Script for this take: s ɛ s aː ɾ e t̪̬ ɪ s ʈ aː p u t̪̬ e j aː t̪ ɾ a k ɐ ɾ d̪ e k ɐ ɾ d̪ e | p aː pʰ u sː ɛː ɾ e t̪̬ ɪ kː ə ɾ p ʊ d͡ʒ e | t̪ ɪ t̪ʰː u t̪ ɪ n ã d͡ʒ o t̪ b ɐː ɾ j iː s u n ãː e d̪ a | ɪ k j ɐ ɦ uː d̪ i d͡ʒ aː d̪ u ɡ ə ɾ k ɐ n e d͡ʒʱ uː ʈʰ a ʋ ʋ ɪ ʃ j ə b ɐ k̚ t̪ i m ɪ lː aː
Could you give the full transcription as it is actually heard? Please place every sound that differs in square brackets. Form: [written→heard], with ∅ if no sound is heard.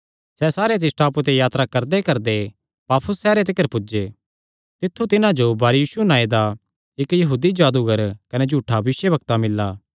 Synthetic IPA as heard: s ɛ s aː ɾ e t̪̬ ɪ s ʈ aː p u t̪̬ e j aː t̪ ɾ a k ɐ ɾ d̪ e k ɐ ɾ d̪ e | p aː pʰ [u→ʊ] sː ɛː ɾ e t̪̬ ɪ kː ə ɾ p ʊ d͡ʒ e | t̪ ɪ t̪ʰː u t̪ ɪ n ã d͡ʒ o [t̪→∅] b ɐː ɾ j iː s u n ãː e d̪ a | ɪ k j ɐ ɦ uː d̪ i d͡ʒ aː d̪ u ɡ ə ɾ k ɐ n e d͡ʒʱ uː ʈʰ a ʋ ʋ ɪ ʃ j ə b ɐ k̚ t̪ [i→a] m ɪ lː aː